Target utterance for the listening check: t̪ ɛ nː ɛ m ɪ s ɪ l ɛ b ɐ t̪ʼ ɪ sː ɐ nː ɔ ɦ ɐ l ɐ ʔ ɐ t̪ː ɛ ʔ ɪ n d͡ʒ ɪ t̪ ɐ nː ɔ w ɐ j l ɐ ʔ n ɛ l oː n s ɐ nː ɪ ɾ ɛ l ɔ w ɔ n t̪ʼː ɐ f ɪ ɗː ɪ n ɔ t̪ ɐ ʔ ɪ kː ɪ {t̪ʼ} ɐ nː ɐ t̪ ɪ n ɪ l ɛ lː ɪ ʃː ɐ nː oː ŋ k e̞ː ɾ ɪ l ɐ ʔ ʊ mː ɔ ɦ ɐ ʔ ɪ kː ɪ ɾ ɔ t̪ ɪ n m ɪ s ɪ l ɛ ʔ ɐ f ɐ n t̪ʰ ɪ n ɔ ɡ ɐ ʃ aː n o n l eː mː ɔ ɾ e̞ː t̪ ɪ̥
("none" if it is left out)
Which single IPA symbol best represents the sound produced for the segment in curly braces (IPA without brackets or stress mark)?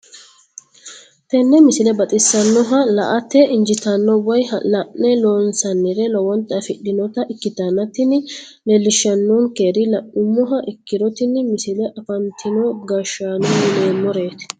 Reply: t̪